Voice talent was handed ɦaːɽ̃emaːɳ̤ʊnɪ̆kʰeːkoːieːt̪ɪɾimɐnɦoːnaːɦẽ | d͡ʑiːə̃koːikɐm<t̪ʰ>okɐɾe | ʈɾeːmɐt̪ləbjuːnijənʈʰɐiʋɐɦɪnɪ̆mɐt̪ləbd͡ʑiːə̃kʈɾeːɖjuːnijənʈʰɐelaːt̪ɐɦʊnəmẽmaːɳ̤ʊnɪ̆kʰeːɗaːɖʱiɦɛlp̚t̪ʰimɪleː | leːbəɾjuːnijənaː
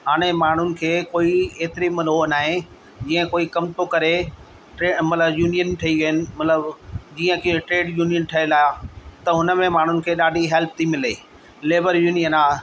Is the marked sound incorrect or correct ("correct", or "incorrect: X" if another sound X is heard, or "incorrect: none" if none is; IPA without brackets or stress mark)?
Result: incorrect: t̪